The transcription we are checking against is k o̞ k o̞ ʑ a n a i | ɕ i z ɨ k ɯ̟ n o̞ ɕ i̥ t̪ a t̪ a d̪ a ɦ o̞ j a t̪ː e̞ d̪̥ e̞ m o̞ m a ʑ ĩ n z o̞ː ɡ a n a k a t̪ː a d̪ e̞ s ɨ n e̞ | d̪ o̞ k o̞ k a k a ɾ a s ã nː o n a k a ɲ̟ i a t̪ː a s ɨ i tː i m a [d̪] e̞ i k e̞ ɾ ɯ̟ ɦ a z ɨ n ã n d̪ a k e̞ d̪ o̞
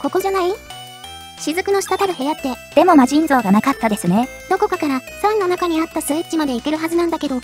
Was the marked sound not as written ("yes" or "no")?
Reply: no